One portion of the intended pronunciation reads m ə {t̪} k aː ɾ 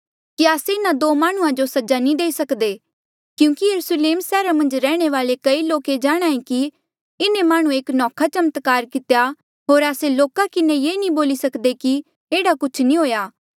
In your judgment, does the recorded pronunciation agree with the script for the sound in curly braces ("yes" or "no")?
yes